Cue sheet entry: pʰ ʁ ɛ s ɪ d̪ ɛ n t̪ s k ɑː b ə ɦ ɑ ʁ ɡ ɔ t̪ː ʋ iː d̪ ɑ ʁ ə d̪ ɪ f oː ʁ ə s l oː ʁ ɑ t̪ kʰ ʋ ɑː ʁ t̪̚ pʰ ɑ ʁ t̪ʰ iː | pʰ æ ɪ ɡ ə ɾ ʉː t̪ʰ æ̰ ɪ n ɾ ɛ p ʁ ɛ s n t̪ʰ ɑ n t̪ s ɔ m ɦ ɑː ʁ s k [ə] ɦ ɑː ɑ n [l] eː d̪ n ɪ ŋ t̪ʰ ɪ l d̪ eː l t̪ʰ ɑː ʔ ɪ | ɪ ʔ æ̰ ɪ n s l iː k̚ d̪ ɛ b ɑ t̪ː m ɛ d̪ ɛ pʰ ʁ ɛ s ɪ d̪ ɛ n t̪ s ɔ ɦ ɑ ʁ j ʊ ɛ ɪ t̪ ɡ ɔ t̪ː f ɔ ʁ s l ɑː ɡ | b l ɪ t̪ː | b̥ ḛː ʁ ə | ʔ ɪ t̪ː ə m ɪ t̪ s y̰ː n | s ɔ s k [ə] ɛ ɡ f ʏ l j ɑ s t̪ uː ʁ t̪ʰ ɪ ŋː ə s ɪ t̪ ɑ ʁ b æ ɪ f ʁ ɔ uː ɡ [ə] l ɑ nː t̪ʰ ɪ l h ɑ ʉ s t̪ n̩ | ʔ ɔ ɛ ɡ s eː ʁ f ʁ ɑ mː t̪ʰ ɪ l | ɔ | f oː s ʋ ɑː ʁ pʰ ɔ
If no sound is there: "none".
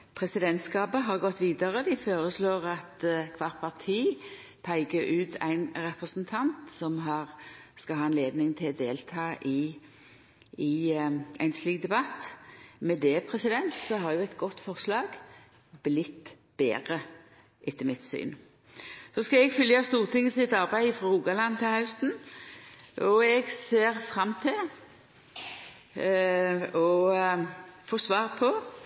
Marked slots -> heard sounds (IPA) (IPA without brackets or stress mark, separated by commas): ɑ, l, ɑ, ɑ